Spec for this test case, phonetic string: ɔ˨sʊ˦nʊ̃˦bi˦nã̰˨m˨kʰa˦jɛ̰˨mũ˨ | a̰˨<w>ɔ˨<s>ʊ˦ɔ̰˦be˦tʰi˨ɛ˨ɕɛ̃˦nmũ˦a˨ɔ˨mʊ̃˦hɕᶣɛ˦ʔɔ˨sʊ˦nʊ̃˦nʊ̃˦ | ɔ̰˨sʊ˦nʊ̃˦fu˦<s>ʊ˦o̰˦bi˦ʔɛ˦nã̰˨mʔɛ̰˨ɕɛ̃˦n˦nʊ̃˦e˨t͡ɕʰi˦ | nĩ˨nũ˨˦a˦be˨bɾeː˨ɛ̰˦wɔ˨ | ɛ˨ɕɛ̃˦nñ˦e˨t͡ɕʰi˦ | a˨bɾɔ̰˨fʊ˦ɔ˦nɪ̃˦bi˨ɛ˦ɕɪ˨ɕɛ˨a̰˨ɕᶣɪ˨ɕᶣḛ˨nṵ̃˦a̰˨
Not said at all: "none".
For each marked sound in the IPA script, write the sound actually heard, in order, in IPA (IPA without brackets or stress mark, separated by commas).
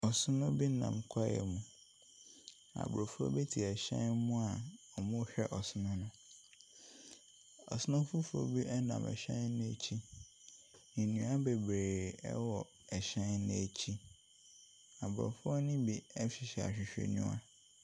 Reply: b, f, f